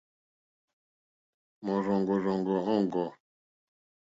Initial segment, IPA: m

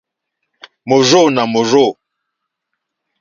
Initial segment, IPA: m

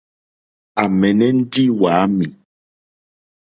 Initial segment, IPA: a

